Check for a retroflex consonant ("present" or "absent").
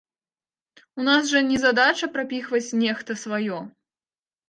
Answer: present